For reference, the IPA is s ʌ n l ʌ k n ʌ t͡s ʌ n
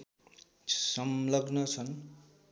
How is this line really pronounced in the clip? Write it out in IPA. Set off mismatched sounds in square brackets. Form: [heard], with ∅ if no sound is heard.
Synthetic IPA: s ʌ [m] l ʌ [ɡ] n ʌ [t͡sʰ] ʌ n